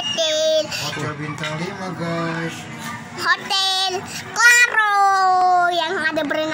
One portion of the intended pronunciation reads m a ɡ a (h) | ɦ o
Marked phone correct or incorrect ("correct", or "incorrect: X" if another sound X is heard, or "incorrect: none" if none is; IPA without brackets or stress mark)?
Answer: incorrect: s